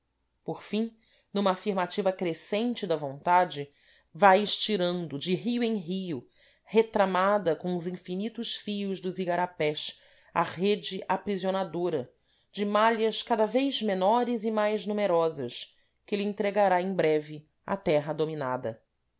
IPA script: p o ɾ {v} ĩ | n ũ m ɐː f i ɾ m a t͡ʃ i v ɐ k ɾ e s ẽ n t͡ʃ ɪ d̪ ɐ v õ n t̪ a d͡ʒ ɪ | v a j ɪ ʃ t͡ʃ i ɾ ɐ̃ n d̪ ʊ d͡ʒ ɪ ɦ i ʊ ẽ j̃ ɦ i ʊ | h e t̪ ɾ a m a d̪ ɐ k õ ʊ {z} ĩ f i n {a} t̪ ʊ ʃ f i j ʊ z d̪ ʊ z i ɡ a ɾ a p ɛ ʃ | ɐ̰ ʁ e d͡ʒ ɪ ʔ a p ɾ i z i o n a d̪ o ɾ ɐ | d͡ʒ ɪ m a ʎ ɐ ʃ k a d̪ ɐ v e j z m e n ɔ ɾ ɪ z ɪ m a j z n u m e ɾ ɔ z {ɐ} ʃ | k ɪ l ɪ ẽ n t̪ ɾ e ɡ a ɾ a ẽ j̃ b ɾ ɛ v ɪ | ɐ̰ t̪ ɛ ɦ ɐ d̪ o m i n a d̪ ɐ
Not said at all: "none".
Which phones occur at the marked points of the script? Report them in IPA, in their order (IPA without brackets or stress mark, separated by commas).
f, z, i, ɐ